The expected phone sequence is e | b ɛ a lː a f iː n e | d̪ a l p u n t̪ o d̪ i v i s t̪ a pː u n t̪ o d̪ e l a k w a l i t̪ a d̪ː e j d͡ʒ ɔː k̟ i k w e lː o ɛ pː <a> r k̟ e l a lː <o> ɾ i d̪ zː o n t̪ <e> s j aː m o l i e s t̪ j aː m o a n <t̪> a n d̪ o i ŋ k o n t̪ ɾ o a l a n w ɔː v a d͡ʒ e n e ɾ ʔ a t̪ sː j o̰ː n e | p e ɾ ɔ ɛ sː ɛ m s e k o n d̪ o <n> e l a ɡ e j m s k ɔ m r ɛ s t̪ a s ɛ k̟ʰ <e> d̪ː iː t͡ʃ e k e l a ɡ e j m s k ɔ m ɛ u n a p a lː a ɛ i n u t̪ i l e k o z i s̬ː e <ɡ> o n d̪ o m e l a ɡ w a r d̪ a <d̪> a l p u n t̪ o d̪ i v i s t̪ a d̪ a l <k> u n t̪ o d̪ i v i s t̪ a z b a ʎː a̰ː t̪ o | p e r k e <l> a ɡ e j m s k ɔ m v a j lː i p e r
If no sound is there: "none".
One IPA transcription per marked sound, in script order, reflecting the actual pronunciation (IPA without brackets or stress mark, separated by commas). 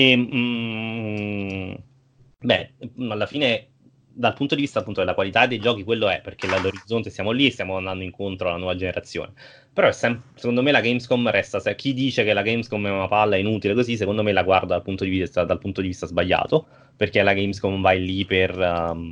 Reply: e, o, e, d̪, m, i, k, d̪, p, l